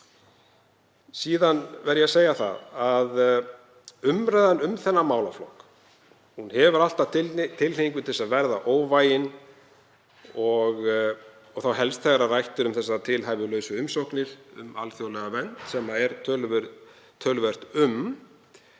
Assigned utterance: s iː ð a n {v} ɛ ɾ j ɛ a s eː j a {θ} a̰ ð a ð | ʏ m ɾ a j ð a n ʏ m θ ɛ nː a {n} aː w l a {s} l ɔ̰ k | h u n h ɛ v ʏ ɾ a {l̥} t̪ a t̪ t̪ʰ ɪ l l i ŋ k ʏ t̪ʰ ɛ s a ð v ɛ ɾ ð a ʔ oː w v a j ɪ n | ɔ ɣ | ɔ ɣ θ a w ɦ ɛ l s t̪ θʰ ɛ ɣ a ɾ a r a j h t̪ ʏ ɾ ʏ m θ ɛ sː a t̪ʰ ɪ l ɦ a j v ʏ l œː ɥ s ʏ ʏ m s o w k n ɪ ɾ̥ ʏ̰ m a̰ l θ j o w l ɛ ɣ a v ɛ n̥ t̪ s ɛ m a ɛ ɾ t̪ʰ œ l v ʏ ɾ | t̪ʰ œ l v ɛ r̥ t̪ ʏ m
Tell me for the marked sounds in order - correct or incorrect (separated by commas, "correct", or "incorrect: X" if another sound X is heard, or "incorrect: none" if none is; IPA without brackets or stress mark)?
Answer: correct, correct, incorrect: m, incorrect: f, correct